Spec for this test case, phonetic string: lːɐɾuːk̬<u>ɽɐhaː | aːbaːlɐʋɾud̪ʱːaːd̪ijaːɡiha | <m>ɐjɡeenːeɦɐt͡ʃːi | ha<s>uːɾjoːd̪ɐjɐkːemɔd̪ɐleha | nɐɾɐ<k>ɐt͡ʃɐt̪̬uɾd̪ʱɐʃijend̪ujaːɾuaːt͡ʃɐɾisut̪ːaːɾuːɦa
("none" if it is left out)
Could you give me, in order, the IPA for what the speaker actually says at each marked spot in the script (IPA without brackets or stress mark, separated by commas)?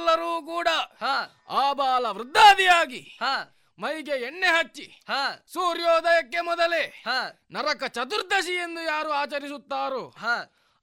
uː, m, s, k